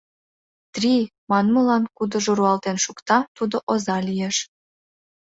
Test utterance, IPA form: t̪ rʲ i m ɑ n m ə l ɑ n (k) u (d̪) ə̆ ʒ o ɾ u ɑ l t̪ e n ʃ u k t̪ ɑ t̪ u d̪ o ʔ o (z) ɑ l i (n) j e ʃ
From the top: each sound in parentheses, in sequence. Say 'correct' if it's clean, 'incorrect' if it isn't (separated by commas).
correct, correct, correct, incorrect